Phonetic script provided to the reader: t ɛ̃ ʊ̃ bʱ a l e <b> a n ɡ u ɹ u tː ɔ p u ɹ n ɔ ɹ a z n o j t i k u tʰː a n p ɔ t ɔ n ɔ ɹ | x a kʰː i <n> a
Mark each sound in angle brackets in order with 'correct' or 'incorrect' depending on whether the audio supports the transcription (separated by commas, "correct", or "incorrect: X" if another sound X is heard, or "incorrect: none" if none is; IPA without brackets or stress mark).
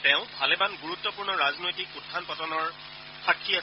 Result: correct, incorrect: none